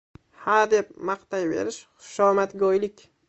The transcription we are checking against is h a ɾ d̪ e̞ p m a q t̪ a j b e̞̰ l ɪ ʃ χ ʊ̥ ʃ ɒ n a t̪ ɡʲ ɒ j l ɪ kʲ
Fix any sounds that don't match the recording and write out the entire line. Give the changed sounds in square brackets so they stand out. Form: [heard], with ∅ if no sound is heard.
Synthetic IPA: h a ɾ d̪ e̞ p m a q t̪ a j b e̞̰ [ɾ] ɪ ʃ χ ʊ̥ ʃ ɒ [m] a t̪ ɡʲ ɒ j l ɪ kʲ